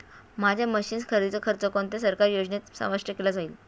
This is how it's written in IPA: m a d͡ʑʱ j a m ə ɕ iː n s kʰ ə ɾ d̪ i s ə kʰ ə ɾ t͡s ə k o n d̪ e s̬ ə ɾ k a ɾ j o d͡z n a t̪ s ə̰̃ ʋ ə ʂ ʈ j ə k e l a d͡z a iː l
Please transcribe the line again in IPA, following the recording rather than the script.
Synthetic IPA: m a d͡ʑʱ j a m ə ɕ iː n s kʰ ə ɾ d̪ i t͡s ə kʰ ə ɾ t͡s ə k o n t̪ e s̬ ə ɾ k a ɾ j o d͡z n e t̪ s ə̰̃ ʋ ə ʂ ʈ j ə k e l a d͡z a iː l